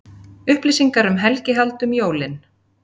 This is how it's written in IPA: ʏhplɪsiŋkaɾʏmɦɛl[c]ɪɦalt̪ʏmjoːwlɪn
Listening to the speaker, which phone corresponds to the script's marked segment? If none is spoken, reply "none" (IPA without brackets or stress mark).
c